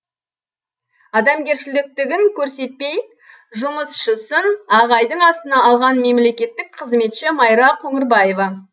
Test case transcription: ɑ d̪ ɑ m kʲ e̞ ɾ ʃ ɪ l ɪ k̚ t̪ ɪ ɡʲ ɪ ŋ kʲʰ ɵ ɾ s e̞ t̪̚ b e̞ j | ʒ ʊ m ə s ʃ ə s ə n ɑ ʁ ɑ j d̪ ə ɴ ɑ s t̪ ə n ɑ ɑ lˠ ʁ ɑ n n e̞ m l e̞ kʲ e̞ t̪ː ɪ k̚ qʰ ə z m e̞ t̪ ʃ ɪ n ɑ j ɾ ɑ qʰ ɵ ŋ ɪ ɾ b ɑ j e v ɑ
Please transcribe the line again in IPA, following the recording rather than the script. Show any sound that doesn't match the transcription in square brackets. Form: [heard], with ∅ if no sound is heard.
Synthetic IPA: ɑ d̪ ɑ m [ɡʲ] e̞ ɾ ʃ ɪ l ɪ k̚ t̪ ɪ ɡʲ ɪ ŋ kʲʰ ɵ ɾ s e̞ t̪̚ [p] e̞ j | ʒ ʊ m ə s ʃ ə s ə n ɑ ʁ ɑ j d̪ ə ɴ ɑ s t̪ ə n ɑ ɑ lˠ ʁ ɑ n [m] e̞ m l e̞ kʲ e̞ t̪ː ɪ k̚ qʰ ə z m e̞ t̪ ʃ ɪ [m] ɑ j ɾ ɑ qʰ ɵ ŋ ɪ ɾ b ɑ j e v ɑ